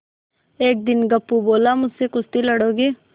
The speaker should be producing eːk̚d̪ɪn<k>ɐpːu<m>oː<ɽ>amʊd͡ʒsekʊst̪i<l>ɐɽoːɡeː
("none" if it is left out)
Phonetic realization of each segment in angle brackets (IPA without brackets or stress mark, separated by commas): ɡ, b, l, l